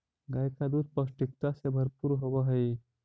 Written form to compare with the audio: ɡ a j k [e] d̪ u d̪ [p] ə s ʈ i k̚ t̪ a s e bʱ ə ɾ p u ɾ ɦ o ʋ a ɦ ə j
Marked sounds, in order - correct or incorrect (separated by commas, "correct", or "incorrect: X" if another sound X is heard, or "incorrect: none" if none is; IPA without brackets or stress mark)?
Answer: incorrect: a, correct